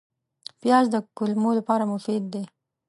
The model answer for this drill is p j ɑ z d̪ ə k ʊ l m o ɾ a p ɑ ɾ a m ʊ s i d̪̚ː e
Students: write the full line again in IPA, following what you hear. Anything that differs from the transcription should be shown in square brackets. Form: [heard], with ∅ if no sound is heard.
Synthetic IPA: p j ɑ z d̪ ə k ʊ l m o [l] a p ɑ ɾ a m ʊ [f] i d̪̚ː e

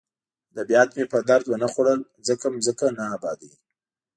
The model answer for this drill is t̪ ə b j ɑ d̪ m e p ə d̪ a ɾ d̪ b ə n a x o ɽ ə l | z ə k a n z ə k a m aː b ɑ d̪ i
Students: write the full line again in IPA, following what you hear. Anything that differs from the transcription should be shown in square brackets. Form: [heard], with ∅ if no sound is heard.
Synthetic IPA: [d̪] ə b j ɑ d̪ m e p ə d̪ a ɾ d̪ [w] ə n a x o ɽ ə l | z ə k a [m] z ə k a [n] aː b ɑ d̪ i

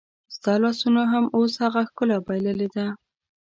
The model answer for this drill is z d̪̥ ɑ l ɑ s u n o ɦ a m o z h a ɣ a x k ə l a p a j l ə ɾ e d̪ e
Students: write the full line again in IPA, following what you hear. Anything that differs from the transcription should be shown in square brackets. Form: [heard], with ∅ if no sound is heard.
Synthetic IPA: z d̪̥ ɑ l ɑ s u n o ɦ a m o [s] h a ɣ a x k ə l a [b] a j l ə [l] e d̪ [a]

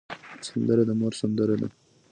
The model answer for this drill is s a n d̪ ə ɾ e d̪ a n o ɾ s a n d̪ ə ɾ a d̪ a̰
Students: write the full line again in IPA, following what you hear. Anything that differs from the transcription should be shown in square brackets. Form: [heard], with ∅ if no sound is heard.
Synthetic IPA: s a n d̪ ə ɾ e d̪ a [m] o ɾ s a n d̪ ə ɾ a d̪ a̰

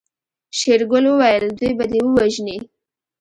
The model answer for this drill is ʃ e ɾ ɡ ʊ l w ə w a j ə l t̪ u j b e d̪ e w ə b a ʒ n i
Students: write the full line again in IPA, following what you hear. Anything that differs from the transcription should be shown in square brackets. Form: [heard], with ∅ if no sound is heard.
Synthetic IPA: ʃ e ɾ ɡ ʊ l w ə w a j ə l [d̪] u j b [a] d̪ e w ə [w] a ʒ n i

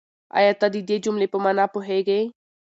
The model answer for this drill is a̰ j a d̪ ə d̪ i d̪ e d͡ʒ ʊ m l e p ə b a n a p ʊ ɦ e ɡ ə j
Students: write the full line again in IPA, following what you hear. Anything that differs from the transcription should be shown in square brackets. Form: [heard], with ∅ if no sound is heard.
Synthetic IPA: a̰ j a [t̪] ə d̪ i d̪ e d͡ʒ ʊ m l e p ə [m] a n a p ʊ ɦ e ɡ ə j

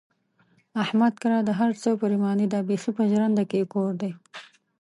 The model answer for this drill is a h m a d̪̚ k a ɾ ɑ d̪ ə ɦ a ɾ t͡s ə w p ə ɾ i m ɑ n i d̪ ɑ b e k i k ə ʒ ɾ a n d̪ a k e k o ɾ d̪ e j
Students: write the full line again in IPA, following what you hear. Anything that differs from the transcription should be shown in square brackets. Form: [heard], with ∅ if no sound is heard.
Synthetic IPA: a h m a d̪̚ k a ɾ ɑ d̪ ə ɦ a ɾ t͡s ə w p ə ɾ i m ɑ n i d̪ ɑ b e [x] i [p] ə ʒ ɾ a n d̪ a k e k o ɾ d̪ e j

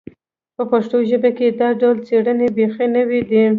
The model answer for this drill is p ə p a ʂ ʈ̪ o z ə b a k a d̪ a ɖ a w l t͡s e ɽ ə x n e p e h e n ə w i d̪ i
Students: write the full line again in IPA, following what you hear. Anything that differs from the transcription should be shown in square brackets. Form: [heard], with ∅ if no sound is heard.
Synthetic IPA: p ə p a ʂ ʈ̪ o [ʒ] ə b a k [e] d̪ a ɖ a w l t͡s e ɽ ə [∅] n e [b] e [x] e n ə w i d̪ i

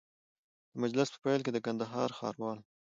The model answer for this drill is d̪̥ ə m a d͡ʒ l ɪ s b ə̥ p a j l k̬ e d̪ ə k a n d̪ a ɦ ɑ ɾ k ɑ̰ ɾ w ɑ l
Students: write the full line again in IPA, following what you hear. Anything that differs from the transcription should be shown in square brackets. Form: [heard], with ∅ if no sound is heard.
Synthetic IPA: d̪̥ ə m a d͡ʒ l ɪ s [p] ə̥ p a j l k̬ e d̪ ə k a n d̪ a ɦ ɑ ɾ [x] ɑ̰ ɾ w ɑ l

